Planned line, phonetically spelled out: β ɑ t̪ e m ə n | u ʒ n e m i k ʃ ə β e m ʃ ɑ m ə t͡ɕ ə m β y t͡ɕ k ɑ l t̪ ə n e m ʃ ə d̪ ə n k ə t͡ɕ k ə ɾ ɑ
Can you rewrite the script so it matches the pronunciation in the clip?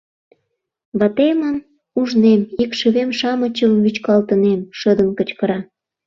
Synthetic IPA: β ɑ t̪ e m ə n | u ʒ n e m i k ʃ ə β e m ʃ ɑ m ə t͡ɕ ə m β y t͡ɕ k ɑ l t̪ ə n e m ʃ ə d̪ ə n k ə t͡ɕ k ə ɾ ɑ